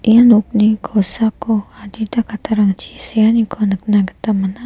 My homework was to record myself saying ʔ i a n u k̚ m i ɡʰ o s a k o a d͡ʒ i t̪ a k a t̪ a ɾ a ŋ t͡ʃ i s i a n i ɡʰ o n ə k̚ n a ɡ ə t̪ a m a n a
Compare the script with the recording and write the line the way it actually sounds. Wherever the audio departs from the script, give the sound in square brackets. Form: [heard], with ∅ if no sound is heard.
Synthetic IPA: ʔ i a n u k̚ [n] i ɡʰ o s a k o a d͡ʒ i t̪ a k a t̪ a ɾ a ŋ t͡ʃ i s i a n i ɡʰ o n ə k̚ n a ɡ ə t̪ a m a n a